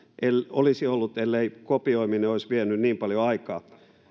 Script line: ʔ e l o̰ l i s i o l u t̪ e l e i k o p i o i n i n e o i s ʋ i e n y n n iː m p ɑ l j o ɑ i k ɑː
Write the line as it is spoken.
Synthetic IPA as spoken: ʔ e l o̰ l i s i o lː u t̪ e lː e i k o p i o i m i n e o i s ʋ i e n y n n iː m p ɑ l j o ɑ i k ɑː